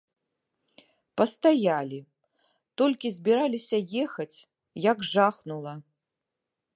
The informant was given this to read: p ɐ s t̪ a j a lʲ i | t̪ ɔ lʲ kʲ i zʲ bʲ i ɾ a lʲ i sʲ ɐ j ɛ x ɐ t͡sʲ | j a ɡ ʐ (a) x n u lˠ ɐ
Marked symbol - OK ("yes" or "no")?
yes